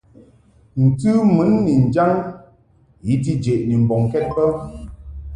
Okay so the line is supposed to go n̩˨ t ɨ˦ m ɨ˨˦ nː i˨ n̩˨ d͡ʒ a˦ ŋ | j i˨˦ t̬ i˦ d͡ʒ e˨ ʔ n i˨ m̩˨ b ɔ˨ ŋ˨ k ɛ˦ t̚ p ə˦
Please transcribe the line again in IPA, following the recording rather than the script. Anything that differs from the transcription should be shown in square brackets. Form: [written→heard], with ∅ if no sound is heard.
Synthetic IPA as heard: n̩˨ t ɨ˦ m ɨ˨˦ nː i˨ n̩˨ d͡ʒ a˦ ŋ | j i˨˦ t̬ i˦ d͡ʒ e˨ ʔ n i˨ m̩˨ b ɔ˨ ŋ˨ k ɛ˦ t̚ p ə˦